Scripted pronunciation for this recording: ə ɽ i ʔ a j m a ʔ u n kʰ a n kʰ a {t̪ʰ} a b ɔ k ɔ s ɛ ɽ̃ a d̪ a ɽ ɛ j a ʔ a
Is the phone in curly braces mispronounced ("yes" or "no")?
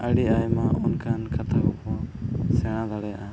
no